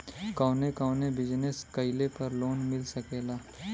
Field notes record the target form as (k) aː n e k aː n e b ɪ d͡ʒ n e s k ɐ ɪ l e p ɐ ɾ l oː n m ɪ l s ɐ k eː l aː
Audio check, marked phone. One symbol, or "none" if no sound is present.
k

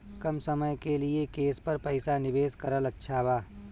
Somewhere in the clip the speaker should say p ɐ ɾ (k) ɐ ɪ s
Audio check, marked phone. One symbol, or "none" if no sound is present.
p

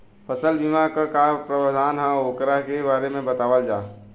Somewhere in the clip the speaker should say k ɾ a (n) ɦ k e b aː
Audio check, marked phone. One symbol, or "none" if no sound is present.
none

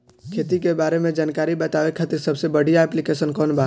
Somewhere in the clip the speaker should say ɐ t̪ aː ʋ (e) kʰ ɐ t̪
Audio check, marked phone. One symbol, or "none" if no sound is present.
e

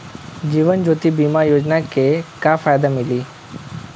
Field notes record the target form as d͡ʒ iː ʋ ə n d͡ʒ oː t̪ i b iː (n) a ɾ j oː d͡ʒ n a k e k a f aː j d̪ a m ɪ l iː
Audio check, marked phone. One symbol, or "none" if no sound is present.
m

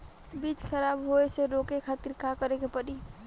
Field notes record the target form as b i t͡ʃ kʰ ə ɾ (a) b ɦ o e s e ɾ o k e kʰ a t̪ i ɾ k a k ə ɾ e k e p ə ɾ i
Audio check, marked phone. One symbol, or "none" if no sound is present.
a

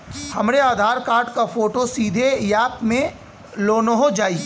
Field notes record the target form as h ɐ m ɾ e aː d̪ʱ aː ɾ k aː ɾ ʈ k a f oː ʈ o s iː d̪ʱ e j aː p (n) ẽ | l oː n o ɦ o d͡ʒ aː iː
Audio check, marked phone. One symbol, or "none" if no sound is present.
m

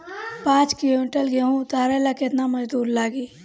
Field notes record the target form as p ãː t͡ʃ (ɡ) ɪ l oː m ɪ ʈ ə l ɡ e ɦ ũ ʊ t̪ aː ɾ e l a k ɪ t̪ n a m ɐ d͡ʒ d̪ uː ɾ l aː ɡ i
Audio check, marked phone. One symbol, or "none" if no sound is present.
k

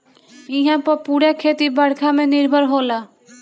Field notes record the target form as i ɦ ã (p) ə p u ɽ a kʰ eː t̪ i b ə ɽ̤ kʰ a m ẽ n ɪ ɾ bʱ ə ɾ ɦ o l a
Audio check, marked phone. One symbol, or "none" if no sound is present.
p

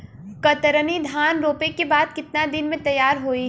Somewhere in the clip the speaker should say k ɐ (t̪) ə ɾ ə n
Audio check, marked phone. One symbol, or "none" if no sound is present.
t̪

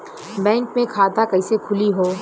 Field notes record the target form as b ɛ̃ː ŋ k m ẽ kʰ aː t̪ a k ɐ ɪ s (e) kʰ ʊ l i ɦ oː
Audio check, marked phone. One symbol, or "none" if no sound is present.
e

